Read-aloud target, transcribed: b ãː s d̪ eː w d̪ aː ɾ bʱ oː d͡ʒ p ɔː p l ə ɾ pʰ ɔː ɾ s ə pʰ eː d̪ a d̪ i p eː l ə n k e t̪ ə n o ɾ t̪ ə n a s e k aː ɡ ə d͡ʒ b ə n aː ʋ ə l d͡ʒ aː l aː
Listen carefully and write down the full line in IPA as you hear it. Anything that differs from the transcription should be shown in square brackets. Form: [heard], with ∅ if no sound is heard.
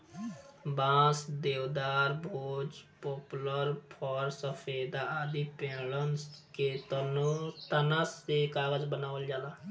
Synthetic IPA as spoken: b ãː s d̪ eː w d̪ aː ɾ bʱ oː d͡ʒ p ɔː p l ə ɾ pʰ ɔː ɾ s ə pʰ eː d̪ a d̪ i p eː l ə n k e t̪ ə n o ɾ t̪ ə n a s e k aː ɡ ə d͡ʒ b ə n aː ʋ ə l d͡ʒ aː l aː